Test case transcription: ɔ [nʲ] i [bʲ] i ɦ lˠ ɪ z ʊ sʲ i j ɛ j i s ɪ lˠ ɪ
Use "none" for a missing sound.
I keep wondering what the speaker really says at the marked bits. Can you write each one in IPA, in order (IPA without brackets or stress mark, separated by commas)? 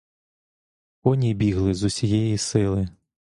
nʲ, bʲ